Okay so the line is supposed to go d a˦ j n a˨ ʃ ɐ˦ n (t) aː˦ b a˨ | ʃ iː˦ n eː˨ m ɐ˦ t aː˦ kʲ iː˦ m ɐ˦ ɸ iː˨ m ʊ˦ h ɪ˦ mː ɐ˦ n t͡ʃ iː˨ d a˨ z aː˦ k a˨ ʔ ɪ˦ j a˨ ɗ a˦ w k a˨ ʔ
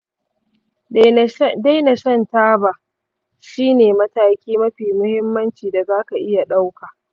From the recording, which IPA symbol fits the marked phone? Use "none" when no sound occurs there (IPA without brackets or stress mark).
t